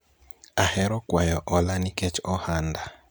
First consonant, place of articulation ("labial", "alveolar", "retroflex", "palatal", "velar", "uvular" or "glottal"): glottal